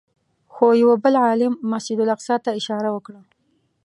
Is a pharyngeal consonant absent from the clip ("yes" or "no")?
no